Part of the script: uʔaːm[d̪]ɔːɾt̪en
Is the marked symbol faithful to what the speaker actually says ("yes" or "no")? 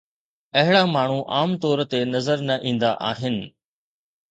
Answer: no